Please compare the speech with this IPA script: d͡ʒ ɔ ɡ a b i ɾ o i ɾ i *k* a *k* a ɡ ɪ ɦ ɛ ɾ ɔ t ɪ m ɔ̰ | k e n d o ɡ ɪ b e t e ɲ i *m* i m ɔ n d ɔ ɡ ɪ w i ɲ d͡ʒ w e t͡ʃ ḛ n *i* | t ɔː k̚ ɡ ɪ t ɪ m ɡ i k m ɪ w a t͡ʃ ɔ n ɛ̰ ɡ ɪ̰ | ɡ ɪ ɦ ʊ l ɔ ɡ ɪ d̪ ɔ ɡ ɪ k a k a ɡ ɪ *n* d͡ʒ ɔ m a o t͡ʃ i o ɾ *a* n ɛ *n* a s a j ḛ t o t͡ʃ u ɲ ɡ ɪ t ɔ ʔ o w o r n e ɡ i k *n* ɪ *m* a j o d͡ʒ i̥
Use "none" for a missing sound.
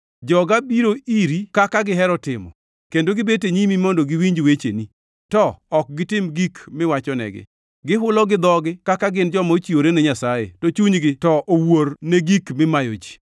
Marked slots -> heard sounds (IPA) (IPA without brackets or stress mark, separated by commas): k, k, m, i, n, e, ɲ, m, m